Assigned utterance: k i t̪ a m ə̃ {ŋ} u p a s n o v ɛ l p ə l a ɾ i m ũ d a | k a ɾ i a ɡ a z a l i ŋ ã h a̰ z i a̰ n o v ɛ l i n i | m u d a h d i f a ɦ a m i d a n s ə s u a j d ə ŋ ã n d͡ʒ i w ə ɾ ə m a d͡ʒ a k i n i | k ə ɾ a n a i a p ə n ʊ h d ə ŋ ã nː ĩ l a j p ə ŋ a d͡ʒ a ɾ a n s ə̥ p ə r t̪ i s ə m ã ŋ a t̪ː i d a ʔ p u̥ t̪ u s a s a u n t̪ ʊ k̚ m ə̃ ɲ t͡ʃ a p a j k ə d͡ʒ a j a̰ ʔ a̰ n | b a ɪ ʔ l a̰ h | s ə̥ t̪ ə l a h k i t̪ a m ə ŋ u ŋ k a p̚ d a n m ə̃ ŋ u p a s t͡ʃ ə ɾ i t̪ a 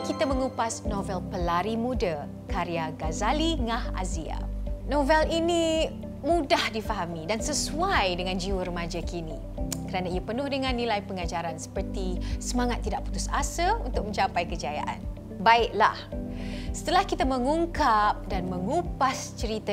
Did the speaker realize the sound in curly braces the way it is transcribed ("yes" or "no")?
yes